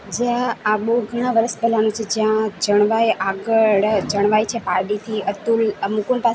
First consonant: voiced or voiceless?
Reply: voiced